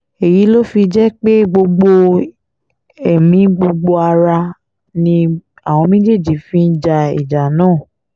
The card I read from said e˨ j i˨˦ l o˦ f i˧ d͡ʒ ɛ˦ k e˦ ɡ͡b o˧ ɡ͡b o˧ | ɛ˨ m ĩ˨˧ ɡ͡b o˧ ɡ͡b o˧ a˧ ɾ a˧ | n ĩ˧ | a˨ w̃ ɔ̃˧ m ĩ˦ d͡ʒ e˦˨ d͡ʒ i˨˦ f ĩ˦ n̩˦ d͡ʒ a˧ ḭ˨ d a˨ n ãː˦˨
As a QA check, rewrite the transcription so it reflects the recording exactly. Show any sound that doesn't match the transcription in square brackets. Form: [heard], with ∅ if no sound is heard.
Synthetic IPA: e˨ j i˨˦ l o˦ f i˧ d͡ʒ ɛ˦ [k͡p] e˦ ɡ͡b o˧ ɡ͡b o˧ | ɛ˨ m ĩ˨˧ ɡ͡b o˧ ɡ͡b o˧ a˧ ɾ a˧ | n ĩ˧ | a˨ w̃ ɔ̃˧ m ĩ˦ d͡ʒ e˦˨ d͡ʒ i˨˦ f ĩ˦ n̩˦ d͡ʒ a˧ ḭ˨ [d͡ʒ] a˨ n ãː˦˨